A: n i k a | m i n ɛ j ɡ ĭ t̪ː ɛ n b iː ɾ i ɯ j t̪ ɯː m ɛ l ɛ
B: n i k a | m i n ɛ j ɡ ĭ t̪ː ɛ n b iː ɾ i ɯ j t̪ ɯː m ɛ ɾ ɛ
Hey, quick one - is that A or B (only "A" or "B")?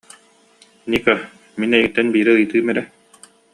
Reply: B